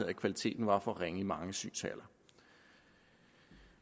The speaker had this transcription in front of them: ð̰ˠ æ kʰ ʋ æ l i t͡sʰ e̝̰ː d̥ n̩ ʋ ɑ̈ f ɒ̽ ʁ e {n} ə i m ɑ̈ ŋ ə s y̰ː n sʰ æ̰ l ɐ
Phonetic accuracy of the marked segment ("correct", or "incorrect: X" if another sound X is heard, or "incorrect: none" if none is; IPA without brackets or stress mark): incorrect: ŋ